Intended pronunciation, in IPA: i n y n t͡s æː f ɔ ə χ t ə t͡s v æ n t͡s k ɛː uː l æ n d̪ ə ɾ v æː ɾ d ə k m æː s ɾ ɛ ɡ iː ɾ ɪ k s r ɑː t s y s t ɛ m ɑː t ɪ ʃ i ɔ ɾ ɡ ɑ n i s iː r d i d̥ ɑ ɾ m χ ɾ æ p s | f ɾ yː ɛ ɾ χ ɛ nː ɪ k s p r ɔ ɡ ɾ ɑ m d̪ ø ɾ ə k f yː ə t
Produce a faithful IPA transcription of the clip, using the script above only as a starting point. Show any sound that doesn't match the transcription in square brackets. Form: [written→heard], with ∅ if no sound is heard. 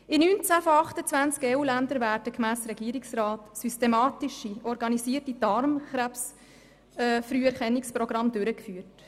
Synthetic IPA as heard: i n y n t͡s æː f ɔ [ə→ɑ] χ t ə t͡s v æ n t͡s k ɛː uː l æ n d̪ ə ɾ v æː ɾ d ə k m æː s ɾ ɛ ɡ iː ɾ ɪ k s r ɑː t s y s t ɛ m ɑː t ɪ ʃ i ɔ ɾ ɡ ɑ n i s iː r [d→t] i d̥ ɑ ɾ m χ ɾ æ p s | f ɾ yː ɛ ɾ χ ɛ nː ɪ k s p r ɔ ɡ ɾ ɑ m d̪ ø ɾ ə k f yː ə t